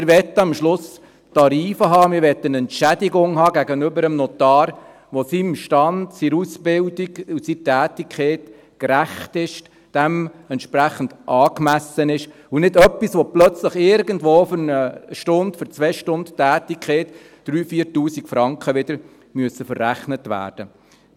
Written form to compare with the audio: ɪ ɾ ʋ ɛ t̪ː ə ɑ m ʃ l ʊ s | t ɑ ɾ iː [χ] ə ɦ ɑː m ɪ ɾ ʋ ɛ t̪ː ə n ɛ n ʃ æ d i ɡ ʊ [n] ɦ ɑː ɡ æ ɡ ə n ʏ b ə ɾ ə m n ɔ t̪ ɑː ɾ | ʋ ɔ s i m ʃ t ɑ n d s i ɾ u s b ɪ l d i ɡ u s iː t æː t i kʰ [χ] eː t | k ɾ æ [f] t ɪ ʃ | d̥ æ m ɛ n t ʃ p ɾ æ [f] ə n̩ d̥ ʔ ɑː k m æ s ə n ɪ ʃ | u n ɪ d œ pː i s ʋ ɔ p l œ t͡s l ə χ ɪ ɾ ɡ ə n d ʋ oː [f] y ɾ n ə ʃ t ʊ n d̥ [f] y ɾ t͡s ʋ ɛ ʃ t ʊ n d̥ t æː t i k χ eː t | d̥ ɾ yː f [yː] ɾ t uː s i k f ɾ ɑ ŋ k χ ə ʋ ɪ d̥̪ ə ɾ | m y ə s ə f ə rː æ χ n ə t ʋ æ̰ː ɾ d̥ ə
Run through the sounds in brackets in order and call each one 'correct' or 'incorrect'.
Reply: incorrect: f, incorrect: ŋ, correct, incorrect: χ, incorrect: χ, correct, correct, incorrect: iː

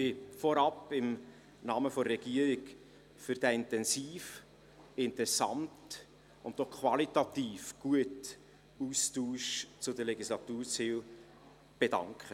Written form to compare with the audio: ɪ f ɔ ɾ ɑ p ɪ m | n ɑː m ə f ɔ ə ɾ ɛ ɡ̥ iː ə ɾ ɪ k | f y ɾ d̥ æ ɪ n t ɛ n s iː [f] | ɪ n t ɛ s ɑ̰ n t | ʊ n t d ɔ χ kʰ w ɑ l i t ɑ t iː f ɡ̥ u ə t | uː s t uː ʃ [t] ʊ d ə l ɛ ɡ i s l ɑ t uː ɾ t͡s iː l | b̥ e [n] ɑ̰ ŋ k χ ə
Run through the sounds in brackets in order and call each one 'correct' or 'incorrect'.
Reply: correct, incorrect: t͡s, incorrect: d

